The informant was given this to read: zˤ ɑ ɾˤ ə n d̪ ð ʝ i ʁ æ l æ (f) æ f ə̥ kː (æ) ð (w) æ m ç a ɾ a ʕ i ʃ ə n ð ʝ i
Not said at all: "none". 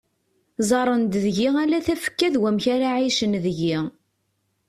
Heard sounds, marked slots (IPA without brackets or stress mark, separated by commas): θ, æ, w